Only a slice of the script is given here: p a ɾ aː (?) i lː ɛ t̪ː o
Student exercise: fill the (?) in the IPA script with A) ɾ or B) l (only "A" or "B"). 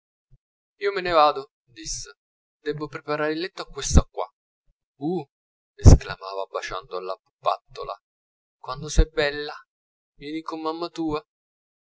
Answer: A